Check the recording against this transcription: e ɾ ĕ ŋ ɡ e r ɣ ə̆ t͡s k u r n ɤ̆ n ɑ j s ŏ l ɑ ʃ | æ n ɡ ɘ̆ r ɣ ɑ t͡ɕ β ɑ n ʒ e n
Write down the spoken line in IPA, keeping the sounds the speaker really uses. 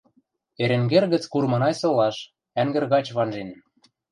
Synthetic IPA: e ɾ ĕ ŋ ɡ e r ɣ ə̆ t͡s k u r m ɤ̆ n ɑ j s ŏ l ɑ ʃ | æ ŋ ɡ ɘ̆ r ɣ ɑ t͡ɕ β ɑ n ʒ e n